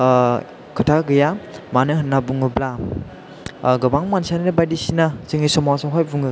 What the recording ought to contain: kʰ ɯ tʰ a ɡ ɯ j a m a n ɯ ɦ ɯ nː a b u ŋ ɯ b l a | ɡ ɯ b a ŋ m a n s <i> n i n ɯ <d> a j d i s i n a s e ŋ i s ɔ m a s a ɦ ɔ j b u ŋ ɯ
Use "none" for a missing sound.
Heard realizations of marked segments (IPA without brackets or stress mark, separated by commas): a, b